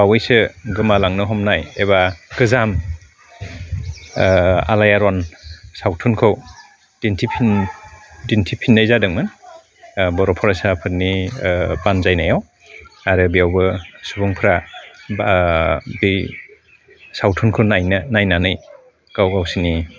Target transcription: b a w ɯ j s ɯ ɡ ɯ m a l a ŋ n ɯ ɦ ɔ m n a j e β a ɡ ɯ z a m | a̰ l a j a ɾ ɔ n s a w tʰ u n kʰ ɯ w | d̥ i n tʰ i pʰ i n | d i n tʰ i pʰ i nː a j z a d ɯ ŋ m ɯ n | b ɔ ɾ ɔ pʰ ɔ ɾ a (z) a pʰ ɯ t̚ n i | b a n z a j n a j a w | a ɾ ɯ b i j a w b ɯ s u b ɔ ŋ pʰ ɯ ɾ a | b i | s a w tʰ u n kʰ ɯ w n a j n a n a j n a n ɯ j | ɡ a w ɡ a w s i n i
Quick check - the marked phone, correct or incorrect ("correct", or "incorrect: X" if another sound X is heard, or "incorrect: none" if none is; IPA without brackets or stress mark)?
incorrect: s